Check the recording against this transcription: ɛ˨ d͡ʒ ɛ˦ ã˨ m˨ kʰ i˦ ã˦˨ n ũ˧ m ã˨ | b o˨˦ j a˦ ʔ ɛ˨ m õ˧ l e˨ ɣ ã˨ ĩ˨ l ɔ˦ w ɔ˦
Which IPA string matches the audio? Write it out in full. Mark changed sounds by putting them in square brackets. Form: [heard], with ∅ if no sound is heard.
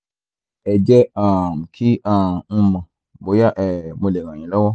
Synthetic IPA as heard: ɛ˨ d͡ʒ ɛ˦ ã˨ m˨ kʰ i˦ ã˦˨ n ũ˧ m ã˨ | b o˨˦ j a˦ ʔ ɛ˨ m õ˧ l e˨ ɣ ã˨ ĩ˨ l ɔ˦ w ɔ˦